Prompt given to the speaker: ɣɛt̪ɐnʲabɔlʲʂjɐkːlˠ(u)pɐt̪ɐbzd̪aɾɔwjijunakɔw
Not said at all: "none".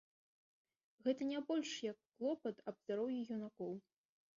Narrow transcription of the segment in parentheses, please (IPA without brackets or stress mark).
ɔ